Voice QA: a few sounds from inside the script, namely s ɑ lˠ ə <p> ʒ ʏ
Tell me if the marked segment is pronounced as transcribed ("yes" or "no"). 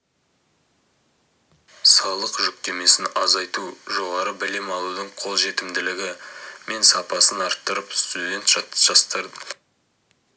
no